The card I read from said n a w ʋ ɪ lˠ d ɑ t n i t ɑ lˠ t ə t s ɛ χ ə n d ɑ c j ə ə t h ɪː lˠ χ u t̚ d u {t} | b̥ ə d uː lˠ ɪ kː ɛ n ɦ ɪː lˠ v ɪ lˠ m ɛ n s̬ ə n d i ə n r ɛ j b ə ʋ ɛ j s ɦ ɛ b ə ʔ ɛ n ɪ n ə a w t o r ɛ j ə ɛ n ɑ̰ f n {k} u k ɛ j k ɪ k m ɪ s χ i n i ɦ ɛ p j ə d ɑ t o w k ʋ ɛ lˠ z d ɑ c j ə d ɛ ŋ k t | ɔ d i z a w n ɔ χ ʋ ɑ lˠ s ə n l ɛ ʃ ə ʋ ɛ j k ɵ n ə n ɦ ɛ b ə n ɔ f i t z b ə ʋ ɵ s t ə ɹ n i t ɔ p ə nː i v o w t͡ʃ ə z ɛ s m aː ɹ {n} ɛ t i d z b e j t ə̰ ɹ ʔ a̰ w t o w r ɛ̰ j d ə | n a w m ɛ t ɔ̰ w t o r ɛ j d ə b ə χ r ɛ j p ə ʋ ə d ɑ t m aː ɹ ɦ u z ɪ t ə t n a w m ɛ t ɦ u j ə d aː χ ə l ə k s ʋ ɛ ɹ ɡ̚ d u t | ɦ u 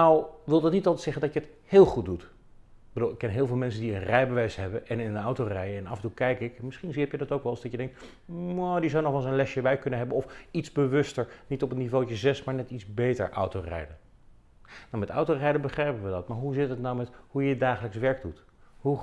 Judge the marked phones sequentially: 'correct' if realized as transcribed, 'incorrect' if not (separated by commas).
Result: correct, incorrect, correct